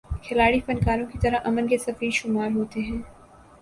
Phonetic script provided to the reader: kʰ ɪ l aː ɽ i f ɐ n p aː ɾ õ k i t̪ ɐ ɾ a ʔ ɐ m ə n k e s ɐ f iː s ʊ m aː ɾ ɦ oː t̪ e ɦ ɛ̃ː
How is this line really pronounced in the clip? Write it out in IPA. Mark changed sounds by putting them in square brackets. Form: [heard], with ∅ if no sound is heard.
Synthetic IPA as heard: kʰ ɪ l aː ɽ i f ɐ n [k] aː ɾ õ k i t̪ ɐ ɾ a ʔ ɐ m ə n k e s ɐ f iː [ʃ] ʊ m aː ɾ ɦ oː t̪ e ɦ ɛ̃ː

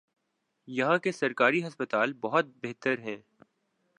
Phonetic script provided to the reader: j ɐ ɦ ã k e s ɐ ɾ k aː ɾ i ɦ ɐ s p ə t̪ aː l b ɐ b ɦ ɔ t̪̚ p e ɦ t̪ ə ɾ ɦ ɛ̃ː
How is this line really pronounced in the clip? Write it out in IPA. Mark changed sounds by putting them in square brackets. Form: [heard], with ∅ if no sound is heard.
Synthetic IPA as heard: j ɐ ɦ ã k e s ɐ ɾ k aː ɾ i ɦ ɐ s p ə t̪ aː l b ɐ [∅] ɦ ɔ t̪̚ [b] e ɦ t̪ ə ɾ ɦ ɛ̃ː

